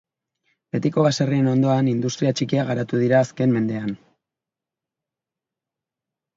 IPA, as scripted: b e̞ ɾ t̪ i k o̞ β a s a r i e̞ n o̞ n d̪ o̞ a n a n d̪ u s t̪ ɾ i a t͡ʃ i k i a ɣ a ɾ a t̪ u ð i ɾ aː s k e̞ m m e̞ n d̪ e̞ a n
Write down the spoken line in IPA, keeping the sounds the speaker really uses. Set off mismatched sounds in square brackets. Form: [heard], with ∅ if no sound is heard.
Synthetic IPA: b e̞ [∅] t̪ i k o̞ β a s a r i e̞ n o̞ n d̪ o̞ a n [i] n d̪ u s t̪ ɾ i a t͡ʃ i k i a ɣ a ɾ a t̪ u ð i ɾ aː s k e̞ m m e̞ n d̪ e̞ a n